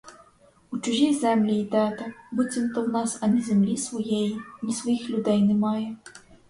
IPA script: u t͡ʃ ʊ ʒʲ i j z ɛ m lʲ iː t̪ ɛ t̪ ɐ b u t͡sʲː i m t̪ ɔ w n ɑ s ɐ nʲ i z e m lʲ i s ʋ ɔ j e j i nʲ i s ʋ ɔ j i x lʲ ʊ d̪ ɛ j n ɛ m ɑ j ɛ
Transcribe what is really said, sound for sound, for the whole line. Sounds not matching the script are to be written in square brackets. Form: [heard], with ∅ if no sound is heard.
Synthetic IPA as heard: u t͡ʃ ʊ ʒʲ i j z ɛ m lʲ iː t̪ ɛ t̪ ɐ b u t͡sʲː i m t̪ ɔ w n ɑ s ɐ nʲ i z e m lʲ i s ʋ ɔ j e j i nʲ i s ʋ ɔ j i x lʲ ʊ d̪ ɛ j n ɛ m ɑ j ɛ